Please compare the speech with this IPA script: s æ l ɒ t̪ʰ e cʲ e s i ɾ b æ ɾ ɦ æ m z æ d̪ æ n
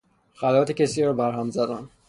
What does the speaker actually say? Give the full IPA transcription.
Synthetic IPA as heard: x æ l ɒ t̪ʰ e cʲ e s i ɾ b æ ɾ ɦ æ m z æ d̪ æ n